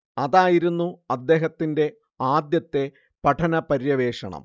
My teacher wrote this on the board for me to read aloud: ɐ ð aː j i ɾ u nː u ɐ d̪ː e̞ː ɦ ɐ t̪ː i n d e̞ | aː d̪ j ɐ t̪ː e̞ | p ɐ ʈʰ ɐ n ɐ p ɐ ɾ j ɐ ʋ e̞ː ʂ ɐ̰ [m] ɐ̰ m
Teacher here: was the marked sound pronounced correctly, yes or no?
no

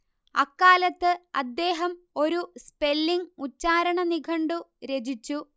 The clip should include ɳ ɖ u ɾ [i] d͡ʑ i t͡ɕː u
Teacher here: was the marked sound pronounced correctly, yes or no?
no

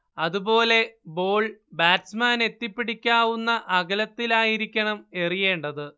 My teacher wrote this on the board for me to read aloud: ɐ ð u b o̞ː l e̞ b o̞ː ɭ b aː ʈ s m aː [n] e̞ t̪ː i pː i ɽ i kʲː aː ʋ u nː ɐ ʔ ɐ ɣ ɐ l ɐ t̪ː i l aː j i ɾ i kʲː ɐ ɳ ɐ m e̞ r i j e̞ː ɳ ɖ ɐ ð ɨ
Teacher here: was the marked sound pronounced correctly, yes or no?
yes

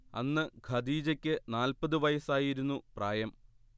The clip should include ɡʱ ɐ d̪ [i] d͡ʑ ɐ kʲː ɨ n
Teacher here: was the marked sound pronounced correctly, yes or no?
no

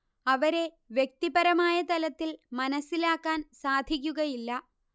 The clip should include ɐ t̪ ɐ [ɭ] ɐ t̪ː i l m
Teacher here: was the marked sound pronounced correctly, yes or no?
no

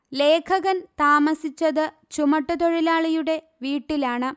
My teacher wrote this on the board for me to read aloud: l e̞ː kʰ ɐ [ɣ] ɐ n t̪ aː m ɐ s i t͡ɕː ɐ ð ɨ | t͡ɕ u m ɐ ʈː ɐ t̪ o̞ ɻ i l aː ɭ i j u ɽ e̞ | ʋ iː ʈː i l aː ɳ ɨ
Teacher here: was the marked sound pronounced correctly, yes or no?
yes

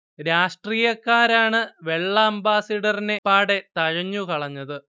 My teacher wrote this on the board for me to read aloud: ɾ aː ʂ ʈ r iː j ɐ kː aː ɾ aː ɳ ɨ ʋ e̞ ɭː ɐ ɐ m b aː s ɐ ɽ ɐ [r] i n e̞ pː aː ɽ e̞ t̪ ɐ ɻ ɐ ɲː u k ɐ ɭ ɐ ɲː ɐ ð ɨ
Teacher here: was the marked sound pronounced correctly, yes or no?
yes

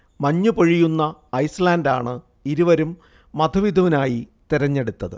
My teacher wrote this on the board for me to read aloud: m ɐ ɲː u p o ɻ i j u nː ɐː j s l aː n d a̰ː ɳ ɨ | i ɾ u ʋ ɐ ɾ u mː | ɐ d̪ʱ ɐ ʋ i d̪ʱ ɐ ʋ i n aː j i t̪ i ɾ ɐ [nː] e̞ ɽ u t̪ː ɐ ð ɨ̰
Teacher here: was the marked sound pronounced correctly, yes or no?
no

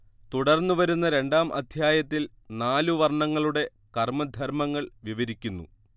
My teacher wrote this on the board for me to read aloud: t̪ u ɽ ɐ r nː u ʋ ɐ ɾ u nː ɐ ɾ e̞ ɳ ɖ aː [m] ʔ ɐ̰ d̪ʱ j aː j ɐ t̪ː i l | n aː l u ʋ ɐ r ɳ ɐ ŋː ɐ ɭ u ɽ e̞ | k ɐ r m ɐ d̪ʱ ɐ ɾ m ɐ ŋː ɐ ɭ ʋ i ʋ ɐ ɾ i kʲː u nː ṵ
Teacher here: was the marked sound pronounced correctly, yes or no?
yes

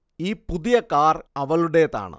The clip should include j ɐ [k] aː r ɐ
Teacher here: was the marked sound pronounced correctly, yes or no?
yes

